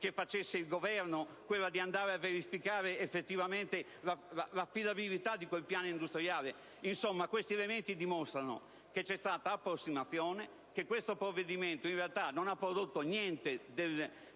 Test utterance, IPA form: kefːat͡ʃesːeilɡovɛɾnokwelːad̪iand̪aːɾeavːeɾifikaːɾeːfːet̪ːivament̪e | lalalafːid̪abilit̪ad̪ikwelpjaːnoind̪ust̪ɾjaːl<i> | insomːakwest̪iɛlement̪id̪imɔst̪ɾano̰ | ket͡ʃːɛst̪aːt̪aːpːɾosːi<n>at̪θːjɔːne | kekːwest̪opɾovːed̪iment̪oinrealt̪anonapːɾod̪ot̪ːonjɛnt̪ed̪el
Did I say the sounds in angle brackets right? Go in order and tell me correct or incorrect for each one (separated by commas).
incorrect, incorrect